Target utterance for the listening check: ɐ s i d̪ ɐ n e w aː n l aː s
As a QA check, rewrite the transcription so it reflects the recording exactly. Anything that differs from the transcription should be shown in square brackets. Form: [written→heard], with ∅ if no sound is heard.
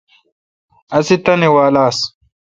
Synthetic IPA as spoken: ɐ s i [d̪→t̪] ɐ n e w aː [n→∅] l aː s